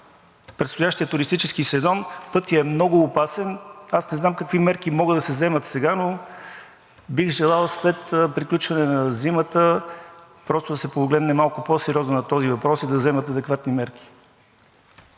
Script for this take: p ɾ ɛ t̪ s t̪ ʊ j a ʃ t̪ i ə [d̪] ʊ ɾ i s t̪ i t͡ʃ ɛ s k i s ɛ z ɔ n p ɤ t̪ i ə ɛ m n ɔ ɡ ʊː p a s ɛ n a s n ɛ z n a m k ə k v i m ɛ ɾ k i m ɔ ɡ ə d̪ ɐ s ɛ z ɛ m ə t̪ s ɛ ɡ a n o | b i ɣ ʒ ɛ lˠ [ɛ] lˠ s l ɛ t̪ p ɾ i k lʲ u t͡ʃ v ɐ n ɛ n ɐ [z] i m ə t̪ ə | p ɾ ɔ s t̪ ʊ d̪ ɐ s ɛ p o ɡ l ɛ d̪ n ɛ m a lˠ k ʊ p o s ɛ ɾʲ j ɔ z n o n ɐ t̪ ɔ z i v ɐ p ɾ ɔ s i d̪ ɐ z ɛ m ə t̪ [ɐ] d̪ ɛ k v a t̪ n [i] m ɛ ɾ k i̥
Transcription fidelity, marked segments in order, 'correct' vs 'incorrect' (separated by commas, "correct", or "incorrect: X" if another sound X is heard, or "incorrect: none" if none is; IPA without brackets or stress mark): incorrect: t̪, incorrect: a, correct, correct, correct